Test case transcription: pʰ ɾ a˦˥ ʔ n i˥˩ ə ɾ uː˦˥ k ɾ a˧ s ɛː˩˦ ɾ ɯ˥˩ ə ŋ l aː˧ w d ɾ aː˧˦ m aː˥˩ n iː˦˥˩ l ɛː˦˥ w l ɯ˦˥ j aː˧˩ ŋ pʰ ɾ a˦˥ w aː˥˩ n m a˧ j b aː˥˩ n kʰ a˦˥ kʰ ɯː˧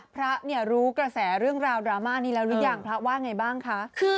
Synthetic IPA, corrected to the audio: pʰ ɾ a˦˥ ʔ n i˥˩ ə ɾ uː˦˥ k ɾ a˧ s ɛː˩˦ ɾ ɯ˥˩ ə ŋ ɾ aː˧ w d ɾ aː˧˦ m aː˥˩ n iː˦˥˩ l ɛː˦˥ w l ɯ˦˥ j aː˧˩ ŋ pʰ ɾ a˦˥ w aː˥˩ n ŋ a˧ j b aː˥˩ ŋ kʰ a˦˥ kʰ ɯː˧